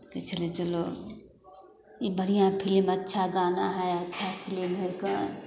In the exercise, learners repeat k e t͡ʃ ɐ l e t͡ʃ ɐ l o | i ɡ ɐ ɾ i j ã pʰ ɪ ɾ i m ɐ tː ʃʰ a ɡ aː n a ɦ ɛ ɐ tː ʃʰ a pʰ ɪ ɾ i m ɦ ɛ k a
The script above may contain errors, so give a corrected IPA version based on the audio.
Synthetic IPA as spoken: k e t͡ʃ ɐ l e t͡ʃ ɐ l o | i b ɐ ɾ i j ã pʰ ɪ l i m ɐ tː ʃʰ a ɡ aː n a ɦ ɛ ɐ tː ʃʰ a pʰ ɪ l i m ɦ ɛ k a